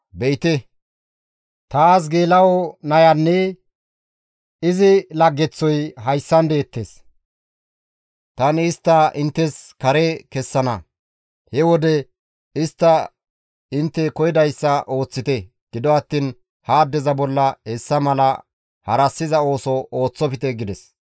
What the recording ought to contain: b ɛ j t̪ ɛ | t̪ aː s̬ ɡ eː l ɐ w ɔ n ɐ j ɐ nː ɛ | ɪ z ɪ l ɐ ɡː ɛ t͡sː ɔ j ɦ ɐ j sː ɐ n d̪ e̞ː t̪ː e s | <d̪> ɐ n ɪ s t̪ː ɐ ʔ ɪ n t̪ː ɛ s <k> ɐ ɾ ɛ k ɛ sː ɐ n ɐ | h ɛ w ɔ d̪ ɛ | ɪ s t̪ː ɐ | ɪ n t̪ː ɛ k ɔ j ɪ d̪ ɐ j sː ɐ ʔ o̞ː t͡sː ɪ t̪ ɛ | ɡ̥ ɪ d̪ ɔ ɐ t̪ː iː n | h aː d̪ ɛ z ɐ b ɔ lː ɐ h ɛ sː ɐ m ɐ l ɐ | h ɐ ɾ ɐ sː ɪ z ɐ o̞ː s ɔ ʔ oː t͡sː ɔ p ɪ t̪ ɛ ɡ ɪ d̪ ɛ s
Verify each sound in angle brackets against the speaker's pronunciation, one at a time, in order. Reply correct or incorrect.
incorrect: t̪, correct

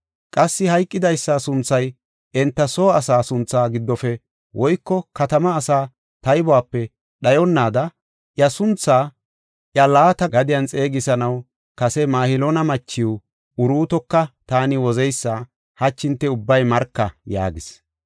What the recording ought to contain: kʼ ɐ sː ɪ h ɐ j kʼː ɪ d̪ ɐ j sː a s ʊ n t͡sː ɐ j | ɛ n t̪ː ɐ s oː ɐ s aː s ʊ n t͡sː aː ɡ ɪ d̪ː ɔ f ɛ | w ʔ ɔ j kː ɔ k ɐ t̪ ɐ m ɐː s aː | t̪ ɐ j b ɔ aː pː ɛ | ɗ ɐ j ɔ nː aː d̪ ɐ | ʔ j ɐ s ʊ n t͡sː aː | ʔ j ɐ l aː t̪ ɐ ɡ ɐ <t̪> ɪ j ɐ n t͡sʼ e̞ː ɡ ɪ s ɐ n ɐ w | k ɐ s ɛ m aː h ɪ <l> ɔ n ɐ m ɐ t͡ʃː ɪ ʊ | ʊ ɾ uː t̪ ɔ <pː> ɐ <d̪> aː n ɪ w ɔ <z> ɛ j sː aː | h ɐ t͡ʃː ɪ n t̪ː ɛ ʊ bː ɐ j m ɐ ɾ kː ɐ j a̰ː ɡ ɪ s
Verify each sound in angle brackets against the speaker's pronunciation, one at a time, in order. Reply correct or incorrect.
incorrect: d̪, correct, incorrect: kː, incorrect: t̪, correct

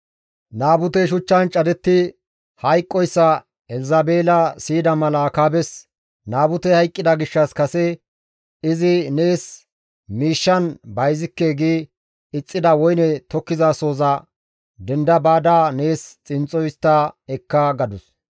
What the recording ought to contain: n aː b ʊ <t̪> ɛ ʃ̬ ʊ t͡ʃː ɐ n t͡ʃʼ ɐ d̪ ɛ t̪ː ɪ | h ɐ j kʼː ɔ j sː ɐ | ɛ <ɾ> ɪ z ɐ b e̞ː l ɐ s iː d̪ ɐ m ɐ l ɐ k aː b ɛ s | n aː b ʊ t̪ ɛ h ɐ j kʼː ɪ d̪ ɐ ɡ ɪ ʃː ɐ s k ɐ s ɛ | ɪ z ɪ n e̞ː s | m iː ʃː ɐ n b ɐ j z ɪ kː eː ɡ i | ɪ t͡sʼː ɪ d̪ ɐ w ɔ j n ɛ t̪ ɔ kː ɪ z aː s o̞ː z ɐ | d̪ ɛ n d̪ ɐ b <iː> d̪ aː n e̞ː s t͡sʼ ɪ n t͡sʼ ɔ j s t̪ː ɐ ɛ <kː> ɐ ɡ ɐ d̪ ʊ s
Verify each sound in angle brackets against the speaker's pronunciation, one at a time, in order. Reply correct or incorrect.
correct, incorrect: l, incorrect: aː, correct

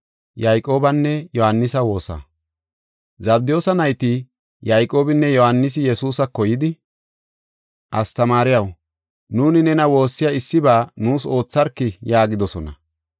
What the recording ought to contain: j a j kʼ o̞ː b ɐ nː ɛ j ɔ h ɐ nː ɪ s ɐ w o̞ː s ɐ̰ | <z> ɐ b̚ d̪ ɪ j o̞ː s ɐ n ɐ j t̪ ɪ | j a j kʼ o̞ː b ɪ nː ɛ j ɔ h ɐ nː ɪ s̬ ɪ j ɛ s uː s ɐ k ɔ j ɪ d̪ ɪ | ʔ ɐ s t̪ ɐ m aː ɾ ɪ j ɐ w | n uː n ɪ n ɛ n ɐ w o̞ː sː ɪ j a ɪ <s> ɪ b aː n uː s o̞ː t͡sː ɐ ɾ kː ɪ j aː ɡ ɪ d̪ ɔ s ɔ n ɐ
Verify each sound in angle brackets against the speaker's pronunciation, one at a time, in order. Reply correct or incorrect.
correct, incorrect: sː

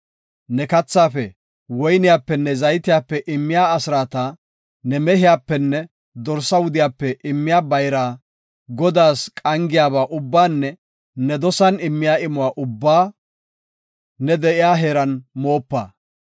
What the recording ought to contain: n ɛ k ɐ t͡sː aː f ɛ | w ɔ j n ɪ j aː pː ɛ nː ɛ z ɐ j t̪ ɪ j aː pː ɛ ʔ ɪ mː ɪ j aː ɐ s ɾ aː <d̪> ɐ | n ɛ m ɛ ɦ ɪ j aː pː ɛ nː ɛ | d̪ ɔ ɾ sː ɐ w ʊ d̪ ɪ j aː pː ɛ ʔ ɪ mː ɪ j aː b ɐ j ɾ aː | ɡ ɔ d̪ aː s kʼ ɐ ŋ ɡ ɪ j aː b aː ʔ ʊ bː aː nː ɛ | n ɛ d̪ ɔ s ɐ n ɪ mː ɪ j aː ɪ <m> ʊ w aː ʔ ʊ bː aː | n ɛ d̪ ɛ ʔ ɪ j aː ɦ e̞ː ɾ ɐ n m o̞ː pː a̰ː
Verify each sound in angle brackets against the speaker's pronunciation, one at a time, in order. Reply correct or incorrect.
incorrect: t̪, correct

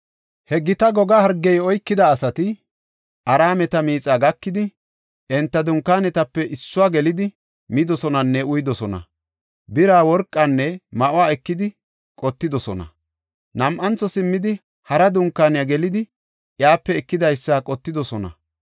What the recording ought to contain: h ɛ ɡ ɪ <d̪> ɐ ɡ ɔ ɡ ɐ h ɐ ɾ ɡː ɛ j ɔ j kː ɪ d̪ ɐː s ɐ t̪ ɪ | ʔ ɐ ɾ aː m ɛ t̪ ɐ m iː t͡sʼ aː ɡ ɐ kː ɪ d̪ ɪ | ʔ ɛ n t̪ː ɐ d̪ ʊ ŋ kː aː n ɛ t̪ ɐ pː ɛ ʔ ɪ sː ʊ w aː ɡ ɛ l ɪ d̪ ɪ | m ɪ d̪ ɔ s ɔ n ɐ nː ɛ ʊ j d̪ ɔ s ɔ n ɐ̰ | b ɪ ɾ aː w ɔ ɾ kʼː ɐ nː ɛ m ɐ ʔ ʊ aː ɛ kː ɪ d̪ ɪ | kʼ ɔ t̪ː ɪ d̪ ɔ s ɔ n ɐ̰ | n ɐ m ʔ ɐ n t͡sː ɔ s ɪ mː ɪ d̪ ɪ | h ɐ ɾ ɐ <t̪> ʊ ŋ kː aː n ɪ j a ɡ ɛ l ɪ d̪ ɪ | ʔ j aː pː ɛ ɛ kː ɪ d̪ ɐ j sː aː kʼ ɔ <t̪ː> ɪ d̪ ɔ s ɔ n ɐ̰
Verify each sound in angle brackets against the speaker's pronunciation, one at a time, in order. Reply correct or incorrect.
incorrect: t̪, incorrect: d̪, correct

